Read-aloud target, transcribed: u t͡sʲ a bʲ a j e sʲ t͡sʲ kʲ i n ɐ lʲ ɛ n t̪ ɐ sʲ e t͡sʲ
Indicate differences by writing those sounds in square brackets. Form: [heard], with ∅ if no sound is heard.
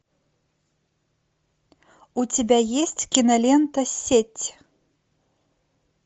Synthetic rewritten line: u t͡sʲ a bʲ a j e sʲ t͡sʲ kʲ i n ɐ lʲ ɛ n t̪ ɐ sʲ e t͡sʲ